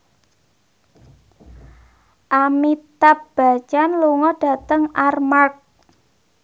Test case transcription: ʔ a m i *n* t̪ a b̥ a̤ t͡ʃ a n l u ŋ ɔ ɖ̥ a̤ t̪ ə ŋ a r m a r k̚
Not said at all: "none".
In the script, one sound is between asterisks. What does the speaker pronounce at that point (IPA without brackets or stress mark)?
none